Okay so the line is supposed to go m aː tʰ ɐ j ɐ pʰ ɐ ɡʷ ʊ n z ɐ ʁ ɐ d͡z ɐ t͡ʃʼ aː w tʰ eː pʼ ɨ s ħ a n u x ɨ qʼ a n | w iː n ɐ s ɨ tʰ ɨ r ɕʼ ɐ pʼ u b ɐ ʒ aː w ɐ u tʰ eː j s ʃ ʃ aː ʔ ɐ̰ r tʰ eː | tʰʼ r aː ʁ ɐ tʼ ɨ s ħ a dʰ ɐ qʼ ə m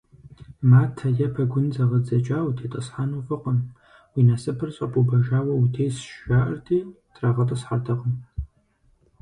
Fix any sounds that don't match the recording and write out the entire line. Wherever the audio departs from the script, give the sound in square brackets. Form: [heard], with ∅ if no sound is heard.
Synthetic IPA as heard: m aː tʰ ɐ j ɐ pʰ ɐ ɡʷ ʊ n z ɐ ʁ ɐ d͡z ɐ t͡ʃʼ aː w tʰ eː [tʼ] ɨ s ħ a n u [f] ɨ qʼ [ə] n | w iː n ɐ s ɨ [pʰ] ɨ r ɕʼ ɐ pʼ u b ɐ ʒ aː w ɐ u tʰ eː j s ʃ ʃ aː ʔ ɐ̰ r tʰ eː | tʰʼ r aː ʁ ɐ tʼ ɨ s ħ a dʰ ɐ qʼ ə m